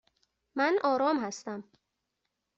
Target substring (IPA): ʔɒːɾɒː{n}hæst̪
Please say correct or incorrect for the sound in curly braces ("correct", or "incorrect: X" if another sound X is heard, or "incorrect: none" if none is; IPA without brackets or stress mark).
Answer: incorrect: m